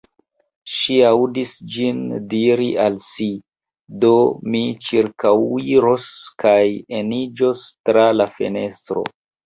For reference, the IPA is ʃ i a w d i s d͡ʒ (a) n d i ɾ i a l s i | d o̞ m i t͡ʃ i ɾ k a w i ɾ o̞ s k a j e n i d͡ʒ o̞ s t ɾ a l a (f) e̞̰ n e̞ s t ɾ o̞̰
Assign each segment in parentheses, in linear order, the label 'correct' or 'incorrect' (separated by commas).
incorrect, correct